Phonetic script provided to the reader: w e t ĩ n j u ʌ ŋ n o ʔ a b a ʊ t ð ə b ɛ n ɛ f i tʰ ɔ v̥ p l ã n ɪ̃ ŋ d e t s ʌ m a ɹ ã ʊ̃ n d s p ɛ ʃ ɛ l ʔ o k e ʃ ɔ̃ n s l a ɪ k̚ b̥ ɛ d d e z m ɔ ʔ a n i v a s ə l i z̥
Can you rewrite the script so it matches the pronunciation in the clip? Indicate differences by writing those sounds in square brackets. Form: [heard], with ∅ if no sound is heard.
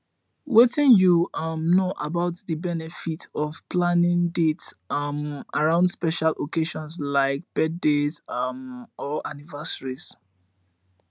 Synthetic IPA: w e t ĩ n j u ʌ [m] n o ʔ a b a ʊ t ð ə b ɛ n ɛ f i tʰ ɔ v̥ p l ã n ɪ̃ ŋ d e t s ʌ m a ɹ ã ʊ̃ n d s p ɛ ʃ [a] l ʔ o k e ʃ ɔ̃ n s l a ɪ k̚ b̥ ɛ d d e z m ɔ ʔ a n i v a s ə [ɹ] i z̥